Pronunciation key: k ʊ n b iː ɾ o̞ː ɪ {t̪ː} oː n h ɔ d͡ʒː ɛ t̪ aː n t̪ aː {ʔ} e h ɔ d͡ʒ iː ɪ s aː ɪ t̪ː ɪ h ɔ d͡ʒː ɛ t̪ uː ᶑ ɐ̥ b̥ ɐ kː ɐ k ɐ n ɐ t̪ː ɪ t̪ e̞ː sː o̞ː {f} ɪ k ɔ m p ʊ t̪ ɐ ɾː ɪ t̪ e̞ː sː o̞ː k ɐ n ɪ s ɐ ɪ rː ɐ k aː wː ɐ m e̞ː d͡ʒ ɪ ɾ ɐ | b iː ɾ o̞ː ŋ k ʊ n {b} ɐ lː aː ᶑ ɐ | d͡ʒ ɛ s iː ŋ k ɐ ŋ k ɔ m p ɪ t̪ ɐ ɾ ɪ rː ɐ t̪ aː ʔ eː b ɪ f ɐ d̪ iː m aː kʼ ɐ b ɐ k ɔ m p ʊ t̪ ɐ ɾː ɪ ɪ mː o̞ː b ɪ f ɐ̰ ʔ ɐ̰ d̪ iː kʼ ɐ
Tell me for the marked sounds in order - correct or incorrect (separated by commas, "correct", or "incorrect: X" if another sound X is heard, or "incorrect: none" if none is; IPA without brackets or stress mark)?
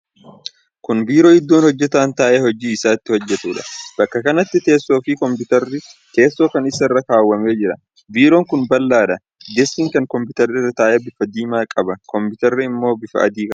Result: incorrect: d̪ː, correct, correct, correct